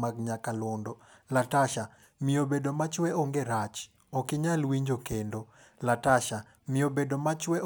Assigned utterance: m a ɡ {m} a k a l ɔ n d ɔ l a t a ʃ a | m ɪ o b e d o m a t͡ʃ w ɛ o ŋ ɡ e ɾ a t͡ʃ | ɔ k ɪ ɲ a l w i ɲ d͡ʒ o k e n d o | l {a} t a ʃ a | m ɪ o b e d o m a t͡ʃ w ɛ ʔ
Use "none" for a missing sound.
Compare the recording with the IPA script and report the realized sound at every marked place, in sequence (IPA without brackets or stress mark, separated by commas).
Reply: ɲ, a